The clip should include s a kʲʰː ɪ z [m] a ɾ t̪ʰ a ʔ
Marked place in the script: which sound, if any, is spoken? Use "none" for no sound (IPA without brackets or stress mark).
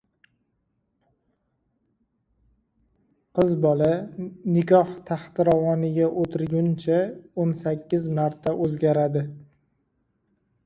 m